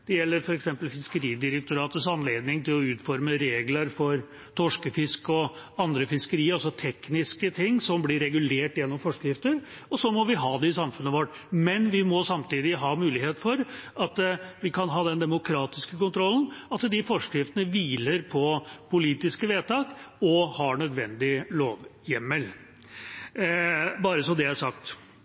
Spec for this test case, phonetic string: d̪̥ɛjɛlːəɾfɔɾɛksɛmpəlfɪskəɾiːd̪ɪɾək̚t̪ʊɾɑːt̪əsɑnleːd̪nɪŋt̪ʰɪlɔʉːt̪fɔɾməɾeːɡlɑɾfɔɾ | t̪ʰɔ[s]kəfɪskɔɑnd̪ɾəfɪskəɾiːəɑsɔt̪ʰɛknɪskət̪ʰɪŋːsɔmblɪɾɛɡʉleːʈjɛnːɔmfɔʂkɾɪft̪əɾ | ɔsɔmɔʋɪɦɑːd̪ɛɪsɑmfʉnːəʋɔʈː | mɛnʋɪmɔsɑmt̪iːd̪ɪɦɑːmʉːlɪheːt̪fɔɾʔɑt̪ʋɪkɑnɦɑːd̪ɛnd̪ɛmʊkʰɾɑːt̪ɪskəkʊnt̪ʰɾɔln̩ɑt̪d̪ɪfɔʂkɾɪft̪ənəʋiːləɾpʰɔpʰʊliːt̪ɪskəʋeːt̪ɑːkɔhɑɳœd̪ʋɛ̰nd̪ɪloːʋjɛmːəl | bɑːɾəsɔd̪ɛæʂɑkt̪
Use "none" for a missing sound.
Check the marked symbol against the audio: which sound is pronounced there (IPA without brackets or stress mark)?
ʂ